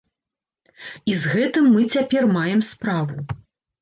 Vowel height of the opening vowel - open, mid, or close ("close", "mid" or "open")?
close